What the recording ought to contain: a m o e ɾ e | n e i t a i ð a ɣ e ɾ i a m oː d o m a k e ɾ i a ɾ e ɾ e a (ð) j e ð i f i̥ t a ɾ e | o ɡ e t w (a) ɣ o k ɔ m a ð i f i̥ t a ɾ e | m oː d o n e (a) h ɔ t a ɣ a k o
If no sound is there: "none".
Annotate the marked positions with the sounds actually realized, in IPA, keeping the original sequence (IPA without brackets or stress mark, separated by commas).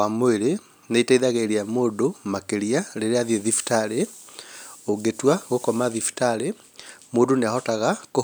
ð, a, a